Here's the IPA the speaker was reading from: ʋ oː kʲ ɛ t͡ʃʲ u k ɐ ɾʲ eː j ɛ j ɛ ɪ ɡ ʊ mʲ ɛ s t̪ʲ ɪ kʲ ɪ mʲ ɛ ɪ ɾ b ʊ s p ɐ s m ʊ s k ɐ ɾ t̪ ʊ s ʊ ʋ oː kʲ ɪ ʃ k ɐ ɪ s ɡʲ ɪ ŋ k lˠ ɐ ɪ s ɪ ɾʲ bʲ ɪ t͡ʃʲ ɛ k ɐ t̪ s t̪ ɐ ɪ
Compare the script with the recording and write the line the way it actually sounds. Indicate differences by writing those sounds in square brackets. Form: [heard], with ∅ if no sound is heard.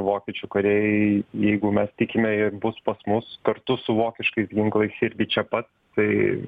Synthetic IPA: ʋ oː kʲ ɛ t͡ʃʲ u k ɐ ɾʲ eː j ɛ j ɛ ɪ ɡ ʊ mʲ ɛ s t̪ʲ ɪ kʲ ɪ mʲ ɛ ɪ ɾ b ʊ s p ɐ s m ʊ s k ɐ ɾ t̪ ʊ s ʊ ʋ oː kʲ ɪ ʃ k ɐ ɪ s ɡʲ ɪ ŋ k lˠ ɐ ɪ s ɪ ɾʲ [ɡʲ] ɪ t͡ʃʲ ɛ [p] ɐ t̪ s t̪ ɐ ɪ